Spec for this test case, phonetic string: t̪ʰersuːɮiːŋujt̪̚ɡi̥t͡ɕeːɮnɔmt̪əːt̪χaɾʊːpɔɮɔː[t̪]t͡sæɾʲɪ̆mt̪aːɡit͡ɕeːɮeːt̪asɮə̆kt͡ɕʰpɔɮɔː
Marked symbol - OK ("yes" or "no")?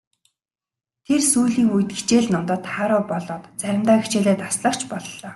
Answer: yes